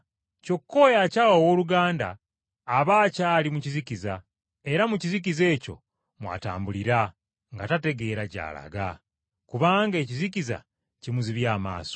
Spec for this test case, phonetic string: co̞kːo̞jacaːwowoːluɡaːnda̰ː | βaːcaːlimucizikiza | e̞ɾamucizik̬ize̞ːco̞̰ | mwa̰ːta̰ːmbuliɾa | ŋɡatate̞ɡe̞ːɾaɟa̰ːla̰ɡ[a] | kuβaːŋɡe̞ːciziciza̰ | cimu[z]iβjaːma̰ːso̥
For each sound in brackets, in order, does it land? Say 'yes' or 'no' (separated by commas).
yes, yes